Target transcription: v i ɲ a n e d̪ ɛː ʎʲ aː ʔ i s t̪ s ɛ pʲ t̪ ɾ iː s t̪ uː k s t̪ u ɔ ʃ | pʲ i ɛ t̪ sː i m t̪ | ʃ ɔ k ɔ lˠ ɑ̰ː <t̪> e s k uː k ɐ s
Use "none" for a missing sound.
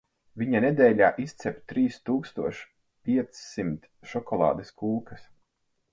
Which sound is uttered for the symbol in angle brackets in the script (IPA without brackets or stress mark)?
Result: d̪